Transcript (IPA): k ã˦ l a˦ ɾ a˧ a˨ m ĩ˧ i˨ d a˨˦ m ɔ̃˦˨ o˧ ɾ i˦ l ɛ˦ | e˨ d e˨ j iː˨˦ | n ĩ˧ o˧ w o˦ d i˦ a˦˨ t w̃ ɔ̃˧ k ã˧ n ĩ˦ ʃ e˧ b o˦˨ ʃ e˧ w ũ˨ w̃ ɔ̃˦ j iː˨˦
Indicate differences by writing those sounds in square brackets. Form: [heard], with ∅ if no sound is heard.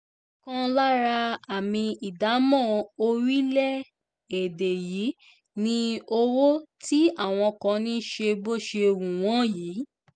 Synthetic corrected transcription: k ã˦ l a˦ ɾ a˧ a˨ m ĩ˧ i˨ d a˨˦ m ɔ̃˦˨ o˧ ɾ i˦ l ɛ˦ | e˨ d e˨ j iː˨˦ | n ĩ˧ o˧ w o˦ [t] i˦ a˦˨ [∅] w̃ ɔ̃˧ k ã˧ n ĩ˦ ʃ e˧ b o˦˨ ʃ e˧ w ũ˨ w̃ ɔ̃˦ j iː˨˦

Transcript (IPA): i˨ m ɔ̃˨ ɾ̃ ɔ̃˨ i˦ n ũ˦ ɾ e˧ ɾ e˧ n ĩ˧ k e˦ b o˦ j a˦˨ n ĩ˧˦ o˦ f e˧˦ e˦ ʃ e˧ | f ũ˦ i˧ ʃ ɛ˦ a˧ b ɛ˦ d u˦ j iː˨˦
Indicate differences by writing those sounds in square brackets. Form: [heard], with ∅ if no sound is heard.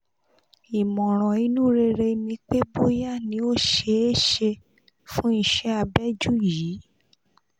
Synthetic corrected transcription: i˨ m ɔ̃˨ ɾ̃ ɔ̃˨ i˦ n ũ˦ ɾ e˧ ɾ e˧ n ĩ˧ [k͡p] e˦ b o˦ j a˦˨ n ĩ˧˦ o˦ [ʃ] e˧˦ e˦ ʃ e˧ | f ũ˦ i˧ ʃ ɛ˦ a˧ b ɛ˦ [d͡ʒ] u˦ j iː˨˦

